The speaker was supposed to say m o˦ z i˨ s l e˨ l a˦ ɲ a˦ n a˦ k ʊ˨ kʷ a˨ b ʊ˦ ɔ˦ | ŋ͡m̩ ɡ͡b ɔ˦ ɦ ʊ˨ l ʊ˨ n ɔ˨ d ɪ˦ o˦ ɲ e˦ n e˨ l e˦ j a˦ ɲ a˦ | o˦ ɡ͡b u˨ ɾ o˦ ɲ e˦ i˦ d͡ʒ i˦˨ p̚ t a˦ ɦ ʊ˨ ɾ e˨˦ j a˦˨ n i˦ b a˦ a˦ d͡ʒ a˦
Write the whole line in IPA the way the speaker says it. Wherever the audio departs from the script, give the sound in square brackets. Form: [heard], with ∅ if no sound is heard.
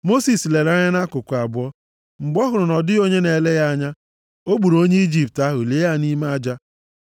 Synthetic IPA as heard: m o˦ [s] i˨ s l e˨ [ɾ] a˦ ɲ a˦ n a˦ k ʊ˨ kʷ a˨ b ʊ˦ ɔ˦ | ŋ͡m̩ ɡ͡b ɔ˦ ɦ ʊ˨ [ɾ] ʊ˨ n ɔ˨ d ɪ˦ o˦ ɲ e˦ n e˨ l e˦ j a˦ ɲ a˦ | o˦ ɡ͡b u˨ ɾ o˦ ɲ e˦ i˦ d͡ʒ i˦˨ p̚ t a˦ ɦ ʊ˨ [l] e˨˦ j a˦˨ n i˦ [m] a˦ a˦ d͡ʒ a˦